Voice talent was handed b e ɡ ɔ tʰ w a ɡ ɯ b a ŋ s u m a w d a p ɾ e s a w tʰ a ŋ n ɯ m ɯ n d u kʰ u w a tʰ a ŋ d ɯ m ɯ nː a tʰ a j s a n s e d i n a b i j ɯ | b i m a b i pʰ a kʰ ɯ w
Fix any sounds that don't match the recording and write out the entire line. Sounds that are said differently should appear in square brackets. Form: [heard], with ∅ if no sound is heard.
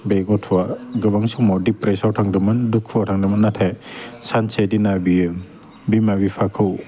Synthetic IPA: b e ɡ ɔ tʰ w a ɡ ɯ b a ŋ s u m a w d [i] p ɾ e s a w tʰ a ŋ [d] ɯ m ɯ n d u kʰ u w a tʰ a ŋ d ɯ m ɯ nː a tʰ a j s a n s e d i n a b i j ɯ | b i m a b i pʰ a kʰ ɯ w